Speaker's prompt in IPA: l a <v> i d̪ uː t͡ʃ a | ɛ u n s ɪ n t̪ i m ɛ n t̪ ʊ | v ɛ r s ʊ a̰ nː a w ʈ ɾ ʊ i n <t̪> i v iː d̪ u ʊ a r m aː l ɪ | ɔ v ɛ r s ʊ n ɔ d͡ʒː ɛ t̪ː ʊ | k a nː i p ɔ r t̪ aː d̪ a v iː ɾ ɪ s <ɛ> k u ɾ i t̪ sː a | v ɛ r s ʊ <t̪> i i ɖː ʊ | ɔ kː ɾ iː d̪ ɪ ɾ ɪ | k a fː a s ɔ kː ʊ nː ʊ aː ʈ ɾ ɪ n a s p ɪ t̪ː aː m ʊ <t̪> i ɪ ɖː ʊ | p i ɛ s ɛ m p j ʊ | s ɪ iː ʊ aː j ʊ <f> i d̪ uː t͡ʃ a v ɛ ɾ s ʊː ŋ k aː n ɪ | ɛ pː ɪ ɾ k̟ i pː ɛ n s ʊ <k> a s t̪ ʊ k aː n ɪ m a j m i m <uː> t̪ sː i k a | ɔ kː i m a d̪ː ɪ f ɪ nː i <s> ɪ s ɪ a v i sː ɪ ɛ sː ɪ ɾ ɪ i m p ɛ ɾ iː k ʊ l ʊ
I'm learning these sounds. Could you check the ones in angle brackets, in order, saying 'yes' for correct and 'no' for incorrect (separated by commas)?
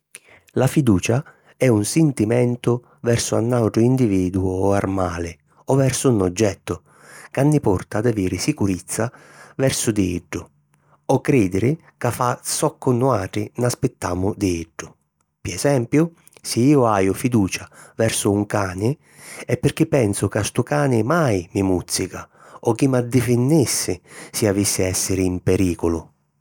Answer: no, no, no, no, no, yes, yes, no, no